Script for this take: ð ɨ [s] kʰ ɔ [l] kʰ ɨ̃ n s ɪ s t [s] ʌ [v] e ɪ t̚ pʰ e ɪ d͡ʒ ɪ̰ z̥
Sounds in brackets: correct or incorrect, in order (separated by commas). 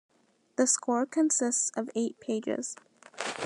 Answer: correct, incorrect, correct, correct